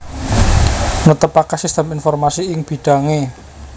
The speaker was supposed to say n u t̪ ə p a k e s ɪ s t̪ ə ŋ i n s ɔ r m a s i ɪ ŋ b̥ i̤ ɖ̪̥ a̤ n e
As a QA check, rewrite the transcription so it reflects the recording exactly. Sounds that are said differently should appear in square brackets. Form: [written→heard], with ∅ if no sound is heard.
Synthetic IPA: n u t̪ ə p a k [e→a] s [ɪ→i] s t̪ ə [ŋ→m] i n [s→f] ɔ r m a s i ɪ ŋ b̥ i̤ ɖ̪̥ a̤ [n→ŋ] e